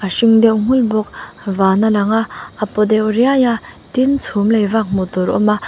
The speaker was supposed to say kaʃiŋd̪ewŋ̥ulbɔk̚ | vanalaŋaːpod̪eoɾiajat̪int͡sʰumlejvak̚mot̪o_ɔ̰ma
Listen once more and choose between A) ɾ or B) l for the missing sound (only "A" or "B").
A